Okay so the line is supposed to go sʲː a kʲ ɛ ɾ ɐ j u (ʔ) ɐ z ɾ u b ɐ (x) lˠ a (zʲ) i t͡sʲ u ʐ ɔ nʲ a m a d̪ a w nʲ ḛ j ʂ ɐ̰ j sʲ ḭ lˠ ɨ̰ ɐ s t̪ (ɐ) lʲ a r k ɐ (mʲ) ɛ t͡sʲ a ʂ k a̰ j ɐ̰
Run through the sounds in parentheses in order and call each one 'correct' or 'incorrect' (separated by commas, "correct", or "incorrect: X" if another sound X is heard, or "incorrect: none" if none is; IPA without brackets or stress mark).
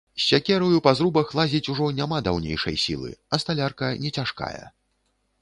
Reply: incorrect: p, correct, correct, incorrect: a, incorrect: nʲ